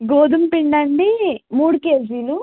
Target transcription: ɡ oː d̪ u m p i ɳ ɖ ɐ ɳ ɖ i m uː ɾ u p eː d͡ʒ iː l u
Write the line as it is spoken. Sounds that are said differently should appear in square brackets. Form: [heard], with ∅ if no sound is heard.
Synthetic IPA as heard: ɡ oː d̪ u m p i ɳ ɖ ɐ ɳ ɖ i m uː [ɽ] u [k] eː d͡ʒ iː l u